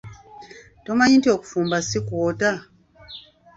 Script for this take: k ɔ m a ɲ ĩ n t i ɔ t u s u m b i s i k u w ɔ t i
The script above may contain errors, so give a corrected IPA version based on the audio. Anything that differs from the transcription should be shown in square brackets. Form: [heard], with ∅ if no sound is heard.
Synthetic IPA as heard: [t] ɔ m a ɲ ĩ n t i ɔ [k] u [f] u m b [a] s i k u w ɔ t [a]